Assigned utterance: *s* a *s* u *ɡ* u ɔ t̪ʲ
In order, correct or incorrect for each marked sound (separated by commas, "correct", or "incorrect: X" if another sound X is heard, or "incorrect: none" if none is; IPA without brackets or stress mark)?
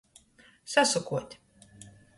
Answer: correct, correct, incorrect: k